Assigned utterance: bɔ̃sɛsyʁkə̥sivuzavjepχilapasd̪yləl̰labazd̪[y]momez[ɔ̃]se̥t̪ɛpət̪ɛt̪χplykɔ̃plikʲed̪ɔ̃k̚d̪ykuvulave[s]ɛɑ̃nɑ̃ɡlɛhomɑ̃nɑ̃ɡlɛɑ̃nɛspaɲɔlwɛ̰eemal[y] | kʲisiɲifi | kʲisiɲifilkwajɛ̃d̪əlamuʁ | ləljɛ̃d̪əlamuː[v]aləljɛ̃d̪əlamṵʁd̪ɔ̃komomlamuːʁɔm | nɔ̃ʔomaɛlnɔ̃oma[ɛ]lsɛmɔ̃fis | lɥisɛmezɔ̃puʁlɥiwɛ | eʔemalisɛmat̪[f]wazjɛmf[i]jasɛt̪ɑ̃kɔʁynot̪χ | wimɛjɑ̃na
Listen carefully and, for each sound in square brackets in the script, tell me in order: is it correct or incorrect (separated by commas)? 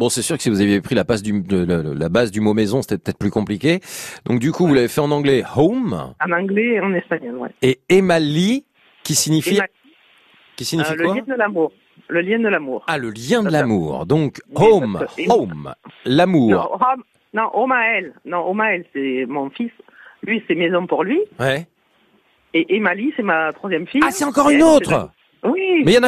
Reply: correct, correct, incorrect, incorrect, incorrect, correct, incorrect, correct